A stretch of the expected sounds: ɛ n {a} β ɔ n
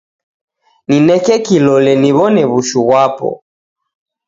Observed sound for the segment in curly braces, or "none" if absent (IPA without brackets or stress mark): i